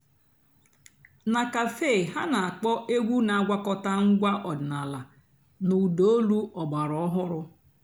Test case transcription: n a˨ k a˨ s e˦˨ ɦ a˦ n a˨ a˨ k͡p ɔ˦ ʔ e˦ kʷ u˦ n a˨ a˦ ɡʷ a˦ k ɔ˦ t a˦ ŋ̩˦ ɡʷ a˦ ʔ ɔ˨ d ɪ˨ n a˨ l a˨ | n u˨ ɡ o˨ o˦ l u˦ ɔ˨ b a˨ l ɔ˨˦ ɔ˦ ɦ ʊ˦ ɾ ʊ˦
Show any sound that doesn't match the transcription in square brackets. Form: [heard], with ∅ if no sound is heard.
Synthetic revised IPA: n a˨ k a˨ [f] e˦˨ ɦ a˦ n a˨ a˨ k͡p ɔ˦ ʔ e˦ [ɡʷ] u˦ n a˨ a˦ ɡʷ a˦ k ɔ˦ t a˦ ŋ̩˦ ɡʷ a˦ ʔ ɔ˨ d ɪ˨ n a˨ l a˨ | n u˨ [d] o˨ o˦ l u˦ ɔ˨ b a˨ [ɾ] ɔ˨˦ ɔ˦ ɦ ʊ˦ ɾ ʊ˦

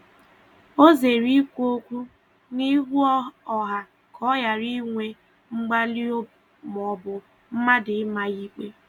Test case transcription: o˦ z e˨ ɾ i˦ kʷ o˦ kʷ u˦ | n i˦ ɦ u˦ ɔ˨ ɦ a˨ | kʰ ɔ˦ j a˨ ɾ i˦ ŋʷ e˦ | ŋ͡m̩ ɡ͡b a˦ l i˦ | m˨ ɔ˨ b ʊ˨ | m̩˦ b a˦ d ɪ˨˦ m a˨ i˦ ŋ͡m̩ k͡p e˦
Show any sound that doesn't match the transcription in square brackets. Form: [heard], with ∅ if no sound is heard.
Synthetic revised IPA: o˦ z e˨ ɾ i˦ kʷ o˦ kʷ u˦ | n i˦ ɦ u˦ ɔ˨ ɦ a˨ | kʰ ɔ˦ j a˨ ɾ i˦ ŋʷ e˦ | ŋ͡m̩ ɡ͡b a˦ l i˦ | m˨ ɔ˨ b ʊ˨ | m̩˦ [m] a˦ d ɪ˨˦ m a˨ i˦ [∅] k͡p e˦

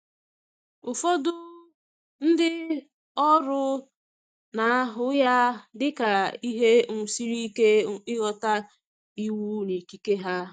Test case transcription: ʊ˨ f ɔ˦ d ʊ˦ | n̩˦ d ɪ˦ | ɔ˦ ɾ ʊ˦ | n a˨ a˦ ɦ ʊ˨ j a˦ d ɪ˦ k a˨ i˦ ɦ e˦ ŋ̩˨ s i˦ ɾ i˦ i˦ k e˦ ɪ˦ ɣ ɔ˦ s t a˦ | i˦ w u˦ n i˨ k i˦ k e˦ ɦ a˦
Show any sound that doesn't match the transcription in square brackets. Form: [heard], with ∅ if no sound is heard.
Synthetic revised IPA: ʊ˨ f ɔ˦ d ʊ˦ | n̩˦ d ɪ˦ | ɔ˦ ɾ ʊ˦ | n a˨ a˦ ɦ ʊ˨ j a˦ d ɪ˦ k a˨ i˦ ɦ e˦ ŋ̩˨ s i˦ ɾ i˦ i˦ k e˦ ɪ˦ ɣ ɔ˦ [∅] t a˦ | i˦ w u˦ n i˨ k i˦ k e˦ ɦ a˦

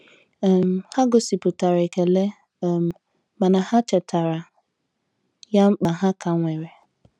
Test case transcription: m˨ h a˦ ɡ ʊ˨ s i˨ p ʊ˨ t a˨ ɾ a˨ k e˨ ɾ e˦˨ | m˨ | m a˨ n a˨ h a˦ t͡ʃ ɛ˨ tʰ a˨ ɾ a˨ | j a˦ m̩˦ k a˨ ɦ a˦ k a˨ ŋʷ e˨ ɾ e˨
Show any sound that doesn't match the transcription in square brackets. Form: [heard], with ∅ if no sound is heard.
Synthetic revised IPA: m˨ h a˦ ɡ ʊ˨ s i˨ p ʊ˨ t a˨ ɾ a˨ k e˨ [l] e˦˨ | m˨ | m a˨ n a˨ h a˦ t͡ʃ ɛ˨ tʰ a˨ ɾ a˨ | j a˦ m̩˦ [k͡p] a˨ ɦ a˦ k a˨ ŋʷ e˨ ɾ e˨

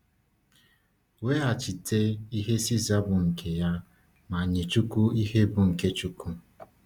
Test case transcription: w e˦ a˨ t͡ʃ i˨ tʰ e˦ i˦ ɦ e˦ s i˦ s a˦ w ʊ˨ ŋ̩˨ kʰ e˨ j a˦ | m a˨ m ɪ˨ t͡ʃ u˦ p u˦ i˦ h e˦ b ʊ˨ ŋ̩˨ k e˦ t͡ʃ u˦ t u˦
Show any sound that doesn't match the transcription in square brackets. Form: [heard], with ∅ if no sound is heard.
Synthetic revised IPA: w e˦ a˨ t͡ʃ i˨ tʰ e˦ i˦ ɦ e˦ s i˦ [z] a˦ [b] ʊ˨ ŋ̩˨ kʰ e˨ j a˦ | m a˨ [ɲ] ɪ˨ t͡ʃ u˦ [k] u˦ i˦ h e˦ b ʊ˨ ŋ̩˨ k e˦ t͡ʃ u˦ [k] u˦

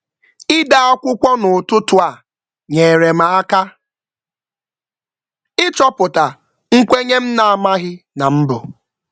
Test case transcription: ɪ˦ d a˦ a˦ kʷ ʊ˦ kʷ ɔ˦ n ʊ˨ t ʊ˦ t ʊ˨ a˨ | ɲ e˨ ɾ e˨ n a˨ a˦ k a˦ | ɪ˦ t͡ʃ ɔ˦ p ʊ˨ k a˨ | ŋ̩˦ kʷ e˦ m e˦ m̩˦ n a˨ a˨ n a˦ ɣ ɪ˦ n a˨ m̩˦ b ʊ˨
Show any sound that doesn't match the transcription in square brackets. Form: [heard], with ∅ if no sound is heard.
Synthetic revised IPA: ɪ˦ d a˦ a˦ kʷ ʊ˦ kʷ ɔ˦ n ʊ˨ t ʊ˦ t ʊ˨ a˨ | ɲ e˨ ɾ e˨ [m] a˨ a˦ k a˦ | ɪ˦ t͡ʃ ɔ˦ p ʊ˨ [t] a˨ | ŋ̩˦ kʷ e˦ [ɲ] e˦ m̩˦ n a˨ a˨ [m] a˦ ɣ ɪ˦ n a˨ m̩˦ b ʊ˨

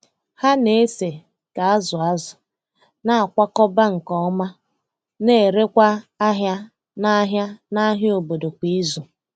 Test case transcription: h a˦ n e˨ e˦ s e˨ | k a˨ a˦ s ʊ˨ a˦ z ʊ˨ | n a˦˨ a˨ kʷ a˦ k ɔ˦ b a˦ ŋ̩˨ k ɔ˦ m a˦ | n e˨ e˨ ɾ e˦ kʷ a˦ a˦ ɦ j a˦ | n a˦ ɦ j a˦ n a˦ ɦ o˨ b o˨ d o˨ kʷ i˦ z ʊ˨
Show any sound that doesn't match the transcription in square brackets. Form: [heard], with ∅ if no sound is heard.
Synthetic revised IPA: h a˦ n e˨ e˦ s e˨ | k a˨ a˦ [z] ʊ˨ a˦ z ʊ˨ | n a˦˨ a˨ kʷ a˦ k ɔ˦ b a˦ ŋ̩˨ k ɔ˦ m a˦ | n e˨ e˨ ɾ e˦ kʷ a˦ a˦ ɦ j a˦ | n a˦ ɦ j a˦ n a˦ ɦ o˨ b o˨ d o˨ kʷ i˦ z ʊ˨

